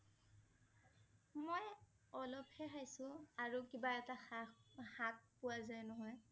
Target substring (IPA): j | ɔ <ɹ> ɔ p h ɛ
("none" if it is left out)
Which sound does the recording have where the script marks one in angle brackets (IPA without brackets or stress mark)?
l